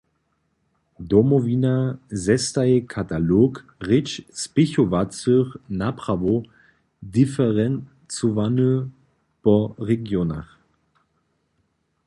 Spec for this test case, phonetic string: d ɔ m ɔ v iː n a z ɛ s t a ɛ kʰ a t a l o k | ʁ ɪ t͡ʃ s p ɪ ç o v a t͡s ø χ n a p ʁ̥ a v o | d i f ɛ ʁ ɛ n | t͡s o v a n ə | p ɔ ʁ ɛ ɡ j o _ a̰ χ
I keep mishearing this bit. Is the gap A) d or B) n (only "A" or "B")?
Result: B